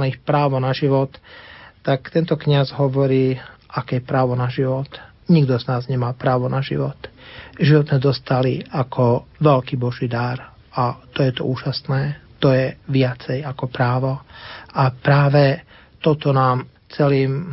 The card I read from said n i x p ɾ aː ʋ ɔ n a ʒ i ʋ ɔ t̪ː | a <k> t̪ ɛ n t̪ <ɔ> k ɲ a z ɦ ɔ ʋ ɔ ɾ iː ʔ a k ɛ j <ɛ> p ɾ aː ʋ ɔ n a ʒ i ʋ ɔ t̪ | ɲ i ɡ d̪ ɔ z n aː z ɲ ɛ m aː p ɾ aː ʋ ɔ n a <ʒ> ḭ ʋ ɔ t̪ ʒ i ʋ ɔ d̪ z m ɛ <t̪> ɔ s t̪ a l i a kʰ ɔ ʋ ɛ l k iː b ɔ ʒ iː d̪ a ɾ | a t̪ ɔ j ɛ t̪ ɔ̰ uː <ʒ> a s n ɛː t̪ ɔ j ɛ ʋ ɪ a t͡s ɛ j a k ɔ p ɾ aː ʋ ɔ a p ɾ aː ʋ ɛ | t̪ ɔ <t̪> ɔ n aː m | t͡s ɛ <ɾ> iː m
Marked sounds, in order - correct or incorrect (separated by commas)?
correct, correct, correct, correct, incorrect, correct, correct, incorrect